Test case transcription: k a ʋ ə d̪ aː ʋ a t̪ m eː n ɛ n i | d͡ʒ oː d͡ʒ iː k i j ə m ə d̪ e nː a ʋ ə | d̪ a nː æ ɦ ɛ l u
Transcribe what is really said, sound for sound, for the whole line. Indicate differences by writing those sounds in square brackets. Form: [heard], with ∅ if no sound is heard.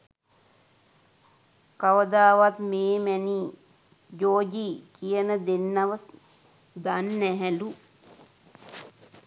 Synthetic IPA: k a ʋ ə d̪ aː ʋ a t̪ m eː [m] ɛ n i | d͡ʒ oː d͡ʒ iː k i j ə [n] ə d̪ e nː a ʋ ə | d̪ a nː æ ɦ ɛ l u